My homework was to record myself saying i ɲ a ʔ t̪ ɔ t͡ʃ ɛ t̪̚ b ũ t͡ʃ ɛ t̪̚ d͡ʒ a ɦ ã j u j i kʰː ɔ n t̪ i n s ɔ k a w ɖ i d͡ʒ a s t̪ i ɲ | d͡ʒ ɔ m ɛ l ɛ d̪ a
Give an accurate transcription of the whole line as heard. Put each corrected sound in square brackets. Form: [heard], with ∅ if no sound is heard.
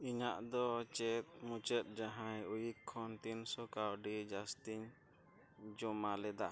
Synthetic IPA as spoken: i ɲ a ʔ [d̪] ɔ t͡ʃ ɛ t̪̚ [m] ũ t͡ʃ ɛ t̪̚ d͡ʒ a ɦ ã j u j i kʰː ɔ n t̪ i n s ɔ k a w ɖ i d͡ʒ a s t̪ i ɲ | d͡ʒ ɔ m [a] l ɛ d̪ a

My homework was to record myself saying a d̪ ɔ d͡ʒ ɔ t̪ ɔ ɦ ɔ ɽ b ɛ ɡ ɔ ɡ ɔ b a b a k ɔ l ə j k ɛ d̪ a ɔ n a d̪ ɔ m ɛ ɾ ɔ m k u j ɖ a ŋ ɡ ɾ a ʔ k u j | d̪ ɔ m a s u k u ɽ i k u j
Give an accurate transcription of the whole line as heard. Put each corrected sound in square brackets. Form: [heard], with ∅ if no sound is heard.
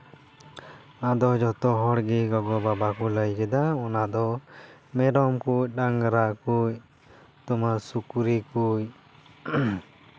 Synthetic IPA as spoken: a d̪ ɔ d͡ʒ ɔ t̪ ɔ ɦ ɔ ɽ [ɡ] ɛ ɡ ɔ ɡ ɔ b a b a k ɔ l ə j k ɛ d̪ a ɔ n a d̪ ɔ m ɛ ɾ ɔ m k u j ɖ a ŋ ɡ ɾ a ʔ k u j | [t̪] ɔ m a s u k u [ɾ] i k u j

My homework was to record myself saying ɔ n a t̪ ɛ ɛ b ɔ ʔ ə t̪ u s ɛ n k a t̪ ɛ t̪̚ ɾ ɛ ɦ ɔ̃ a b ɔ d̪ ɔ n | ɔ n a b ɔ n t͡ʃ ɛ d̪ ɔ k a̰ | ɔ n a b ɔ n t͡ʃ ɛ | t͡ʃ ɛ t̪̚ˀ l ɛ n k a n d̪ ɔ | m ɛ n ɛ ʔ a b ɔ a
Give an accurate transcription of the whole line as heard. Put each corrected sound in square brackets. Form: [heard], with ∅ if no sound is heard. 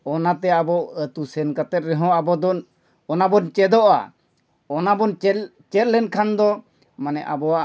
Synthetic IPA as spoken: ɔ n a t̪ ɛ [a] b ɔ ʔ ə t̪ u s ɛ n k a t̪ ɛ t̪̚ ɾ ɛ ɦ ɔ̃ a b ɔ d̪ ɔ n | ɔ n a b ɔ n t͡ʃ ɛ d̪ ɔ [ʔ] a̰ | ɔ n a b ɔ n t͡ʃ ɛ | t͡ʃ ɛ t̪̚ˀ l ɛ n [kʰ] a n d̪ ɔ | m [a] n ɛ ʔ a b ɔ a

